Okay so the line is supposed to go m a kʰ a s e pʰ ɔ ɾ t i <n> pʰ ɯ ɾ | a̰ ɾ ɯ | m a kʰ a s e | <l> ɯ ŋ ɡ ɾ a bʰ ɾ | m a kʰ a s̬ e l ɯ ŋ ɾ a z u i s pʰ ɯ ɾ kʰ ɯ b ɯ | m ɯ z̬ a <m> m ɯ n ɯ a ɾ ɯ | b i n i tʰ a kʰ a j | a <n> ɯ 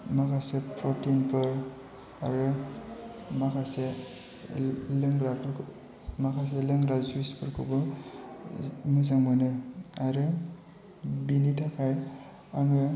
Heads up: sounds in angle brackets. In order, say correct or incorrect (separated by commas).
correct, correct, incorrect, incorrect